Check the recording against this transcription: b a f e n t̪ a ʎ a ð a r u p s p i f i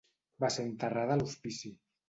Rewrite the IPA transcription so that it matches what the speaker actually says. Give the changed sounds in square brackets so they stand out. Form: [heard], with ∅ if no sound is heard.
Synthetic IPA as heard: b a [s] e n t̪ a [r] a ð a [l] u [∅] s p i [s] i

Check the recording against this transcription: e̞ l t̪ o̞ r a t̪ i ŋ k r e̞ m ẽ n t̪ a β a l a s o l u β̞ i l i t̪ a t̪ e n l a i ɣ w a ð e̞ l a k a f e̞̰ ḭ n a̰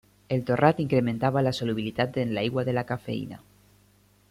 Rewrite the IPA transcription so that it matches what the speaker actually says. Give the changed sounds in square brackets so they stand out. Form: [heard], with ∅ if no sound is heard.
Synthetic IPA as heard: e̞ l t̪ o̞ r a t̪ i ŋ k [ɾ] e̞ m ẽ n t̪ a β a l a s o l u β̞ i l i t̪ a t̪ e n l a i ɣ w a ð e̞ l a k a f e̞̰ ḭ n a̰

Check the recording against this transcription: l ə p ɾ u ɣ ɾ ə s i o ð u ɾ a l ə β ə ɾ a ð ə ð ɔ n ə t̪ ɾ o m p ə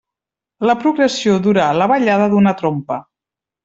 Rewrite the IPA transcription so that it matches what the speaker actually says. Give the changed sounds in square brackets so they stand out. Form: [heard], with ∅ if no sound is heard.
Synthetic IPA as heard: l ə p ɾ u ɣ ɾ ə s i o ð u ɾ a l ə β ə [ʎ] a ð ə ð [u] n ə t̪ ɾ o m p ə

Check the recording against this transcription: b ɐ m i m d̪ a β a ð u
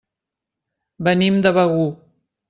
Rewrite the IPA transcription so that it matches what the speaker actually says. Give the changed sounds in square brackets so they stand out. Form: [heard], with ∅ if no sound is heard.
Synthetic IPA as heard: b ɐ [n] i m d̪ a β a [ɣ] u

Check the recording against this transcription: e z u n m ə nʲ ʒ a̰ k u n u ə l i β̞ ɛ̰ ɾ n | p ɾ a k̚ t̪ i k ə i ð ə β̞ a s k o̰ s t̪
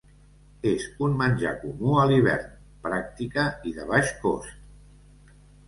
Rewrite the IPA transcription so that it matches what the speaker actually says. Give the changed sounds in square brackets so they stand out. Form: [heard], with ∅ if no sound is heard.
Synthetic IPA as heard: e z u n m ə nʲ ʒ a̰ k u [m] u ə l i β̞ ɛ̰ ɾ n | p ɾ a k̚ t̪ i k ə i ð ə β̞ a [ʃ] k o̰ s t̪

